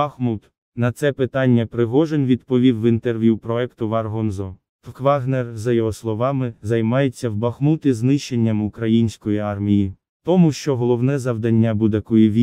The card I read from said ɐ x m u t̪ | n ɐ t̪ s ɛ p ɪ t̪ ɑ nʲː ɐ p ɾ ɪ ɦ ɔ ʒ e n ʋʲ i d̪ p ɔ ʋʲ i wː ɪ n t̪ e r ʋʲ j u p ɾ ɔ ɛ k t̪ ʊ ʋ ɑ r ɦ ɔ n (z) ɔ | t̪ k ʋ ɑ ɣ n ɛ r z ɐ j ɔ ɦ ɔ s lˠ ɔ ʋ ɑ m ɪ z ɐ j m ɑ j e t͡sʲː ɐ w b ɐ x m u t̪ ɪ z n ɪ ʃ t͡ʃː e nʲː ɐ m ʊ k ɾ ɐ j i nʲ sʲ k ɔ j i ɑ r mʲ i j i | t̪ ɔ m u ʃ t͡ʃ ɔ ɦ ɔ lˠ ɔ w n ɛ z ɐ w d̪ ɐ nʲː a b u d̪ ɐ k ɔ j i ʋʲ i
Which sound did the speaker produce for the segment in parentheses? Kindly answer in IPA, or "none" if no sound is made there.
z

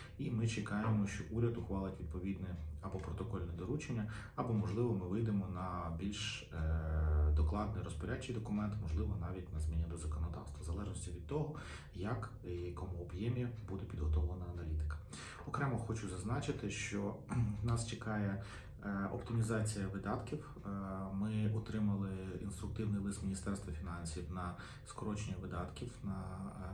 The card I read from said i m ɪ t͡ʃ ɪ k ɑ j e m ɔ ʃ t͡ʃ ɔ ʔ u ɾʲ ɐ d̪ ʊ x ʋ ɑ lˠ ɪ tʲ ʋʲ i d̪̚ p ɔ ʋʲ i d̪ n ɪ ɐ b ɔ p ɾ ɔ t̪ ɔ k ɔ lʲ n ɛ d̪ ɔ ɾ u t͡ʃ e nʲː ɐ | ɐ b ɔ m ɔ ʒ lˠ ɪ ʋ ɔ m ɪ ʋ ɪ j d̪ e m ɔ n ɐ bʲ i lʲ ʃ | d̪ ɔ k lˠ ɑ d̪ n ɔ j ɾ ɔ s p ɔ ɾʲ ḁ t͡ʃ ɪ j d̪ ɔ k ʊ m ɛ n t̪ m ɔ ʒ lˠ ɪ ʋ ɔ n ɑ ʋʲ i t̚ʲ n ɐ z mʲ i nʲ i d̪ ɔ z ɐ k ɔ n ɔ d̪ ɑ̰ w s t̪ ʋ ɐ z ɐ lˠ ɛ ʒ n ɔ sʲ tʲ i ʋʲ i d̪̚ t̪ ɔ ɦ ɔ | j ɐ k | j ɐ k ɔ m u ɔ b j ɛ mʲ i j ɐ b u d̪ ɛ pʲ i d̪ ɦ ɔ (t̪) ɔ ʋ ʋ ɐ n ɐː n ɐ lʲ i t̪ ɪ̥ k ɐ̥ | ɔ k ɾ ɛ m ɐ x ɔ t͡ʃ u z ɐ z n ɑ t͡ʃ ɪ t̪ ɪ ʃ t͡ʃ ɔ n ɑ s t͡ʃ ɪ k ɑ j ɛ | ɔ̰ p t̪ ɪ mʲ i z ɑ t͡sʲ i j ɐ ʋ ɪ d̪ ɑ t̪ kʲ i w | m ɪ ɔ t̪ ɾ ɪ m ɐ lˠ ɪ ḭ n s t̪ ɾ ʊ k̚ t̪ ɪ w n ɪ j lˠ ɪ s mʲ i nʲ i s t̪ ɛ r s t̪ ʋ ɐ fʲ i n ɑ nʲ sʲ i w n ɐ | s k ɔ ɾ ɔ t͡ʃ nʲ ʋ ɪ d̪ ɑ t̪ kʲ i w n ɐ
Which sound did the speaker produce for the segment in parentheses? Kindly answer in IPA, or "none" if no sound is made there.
t̪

